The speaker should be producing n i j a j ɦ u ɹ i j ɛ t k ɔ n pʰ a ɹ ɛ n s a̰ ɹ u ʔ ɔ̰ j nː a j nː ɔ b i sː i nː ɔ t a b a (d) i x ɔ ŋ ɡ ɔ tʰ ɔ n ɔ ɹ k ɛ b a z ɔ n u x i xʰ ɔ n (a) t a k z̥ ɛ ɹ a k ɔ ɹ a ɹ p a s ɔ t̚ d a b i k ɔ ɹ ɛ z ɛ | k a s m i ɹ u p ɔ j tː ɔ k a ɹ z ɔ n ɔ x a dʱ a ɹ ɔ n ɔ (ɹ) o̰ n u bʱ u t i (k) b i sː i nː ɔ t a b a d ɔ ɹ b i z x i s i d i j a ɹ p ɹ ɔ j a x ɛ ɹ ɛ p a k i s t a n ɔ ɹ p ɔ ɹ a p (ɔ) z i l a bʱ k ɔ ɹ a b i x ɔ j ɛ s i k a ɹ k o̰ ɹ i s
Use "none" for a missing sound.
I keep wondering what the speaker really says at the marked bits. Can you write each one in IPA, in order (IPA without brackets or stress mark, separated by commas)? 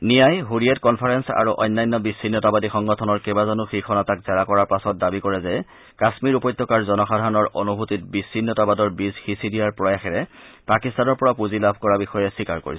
d, a, ɹ, t, u